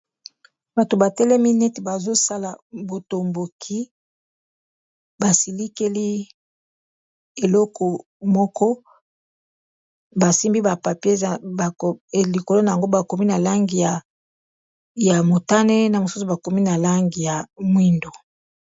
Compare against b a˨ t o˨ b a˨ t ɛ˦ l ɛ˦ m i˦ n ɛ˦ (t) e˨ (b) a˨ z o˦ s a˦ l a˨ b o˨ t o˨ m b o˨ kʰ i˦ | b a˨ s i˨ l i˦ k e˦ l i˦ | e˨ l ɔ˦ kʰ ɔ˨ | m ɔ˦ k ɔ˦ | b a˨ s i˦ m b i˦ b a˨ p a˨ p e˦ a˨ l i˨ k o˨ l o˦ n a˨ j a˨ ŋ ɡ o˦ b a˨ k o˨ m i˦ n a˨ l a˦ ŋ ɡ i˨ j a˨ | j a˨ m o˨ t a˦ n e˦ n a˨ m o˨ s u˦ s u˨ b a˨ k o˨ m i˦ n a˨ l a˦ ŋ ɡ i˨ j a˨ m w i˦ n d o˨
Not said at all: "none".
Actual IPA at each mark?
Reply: t, b

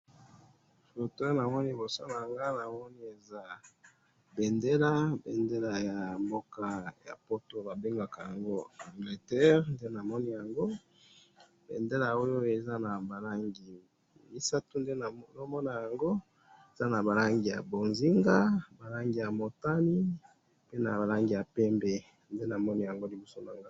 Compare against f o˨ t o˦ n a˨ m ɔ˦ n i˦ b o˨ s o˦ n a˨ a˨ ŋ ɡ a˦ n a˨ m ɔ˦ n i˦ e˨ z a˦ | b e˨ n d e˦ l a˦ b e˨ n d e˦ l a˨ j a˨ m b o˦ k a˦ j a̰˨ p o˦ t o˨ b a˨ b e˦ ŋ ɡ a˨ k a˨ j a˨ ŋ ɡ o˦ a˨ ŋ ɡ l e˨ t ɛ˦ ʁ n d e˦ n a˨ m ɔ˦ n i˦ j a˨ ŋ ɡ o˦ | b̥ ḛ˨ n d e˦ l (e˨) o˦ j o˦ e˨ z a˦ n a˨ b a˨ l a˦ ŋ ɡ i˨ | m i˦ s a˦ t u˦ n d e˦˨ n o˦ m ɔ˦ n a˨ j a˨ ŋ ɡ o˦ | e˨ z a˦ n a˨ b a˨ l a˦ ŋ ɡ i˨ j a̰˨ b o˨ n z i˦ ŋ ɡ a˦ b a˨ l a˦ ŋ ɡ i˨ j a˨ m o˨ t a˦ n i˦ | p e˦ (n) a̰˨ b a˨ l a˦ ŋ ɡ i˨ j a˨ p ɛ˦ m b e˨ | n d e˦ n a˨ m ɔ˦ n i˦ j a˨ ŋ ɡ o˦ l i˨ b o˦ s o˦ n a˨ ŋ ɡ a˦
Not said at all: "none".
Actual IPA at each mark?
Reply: a˨, n

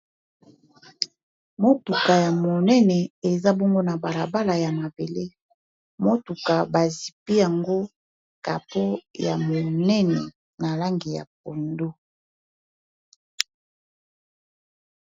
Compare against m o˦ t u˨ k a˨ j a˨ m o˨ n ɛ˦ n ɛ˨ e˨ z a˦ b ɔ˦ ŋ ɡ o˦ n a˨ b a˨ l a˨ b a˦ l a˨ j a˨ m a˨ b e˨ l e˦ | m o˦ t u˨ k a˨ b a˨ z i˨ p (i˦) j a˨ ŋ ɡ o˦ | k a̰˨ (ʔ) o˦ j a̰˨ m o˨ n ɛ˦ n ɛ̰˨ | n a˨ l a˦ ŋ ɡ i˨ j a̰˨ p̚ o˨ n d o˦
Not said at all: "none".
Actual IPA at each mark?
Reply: i˦, p

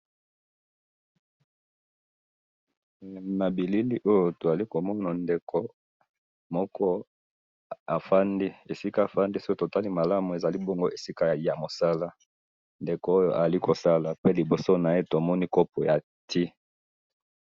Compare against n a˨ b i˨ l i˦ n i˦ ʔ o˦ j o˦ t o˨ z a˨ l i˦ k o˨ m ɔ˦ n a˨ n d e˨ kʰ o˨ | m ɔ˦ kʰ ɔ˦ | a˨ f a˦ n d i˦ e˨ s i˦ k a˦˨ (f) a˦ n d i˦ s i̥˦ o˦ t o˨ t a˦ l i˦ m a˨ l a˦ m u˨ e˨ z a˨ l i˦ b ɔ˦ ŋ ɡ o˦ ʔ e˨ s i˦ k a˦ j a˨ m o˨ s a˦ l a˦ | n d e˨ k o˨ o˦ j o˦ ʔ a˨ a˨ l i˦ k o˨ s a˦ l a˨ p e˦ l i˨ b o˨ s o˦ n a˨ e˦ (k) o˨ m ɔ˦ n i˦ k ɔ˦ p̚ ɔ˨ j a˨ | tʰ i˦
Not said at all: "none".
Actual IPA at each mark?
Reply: f, t

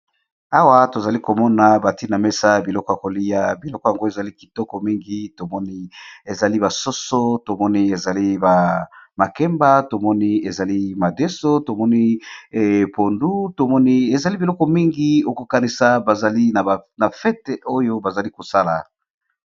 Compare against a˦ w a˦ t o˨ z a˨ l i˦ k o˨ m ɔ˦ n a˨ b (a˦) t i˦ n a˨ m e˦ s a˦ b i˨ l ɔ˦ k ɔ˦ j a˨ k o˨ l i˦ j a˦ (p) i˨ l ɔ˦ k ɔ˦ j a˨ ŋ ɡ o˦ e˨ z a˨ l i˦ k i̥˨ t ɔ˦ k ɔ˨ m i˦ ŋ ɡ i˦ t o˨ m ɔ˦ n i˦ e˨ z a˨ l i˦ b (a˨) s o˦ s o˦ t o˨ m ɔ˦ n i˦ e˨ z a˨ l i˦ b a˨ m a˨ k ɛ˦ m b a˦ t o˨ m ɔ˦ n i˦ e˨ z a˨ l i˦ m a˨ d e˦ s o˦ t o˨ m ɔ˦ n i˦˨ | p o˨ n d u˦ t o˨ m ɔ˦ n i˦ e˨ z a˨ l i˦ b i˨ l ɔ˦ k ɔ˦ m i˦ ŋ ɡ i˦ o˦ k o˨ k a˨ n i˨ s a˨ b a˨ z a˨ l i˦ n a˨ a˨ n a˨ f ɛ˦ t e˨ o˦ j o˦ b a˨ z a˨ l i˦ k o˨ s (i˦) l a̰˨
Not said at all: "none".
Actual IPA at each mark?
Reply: a˨, b, a˨, a˦

